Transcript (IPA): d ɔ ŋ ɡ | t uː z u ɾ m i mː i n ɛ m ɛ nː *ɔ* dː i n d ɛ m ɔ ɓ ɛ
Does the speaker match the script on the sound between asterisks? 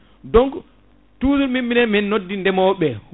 no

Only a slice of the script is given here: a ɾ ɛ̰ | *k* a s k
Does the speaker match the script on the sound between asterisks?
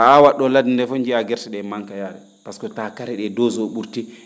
no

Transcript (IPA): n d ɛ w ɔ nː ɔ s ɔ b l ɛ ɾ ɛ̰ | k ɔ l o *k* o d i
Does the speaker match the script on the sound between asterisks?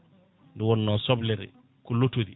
no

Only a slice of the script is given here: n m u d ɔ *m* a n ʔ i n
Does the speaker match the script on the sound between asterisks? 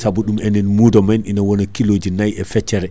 yes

